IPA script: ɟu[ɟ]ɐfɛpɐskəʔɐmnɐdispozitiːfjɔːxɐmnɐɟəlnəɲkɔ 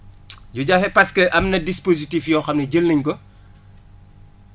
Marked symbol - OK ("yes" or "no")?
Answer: yes